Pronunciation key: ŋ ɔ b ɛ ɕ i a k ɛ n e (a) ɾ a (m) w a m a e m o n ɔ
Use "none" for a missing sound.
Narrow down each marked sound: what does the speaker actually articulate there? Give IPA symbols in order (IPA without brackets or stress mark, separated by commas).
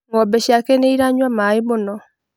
i, ɲ